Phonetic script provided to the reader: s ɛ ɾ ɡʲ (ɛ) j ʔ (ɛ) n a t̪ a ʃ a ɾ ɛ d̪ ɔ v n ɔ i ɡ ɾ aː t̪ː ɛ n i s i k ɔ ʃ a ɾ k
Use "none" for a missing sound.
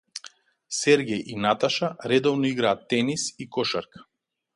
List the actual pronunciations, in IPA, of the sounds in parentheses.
ɛ, i

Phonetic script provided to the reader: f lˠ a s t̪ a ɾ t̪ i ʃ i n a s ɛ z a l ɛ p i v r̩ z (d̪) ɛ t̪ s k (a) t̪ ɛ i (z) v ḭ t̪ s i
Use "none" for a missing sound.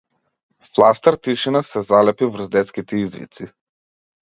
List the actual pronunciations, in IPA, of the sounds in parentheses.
d̪, i, z

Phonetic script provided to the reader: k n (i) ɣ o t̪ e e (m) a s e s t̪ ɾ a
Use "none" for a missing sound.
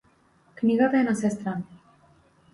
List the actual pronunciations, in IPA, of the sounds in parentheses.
i, n

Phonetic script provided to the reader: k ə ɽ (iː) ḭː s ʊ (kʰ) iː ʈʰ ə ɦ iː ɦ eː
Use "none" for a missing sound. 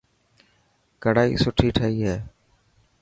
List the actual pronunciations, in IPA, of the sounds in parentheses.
aː, ʈʰ

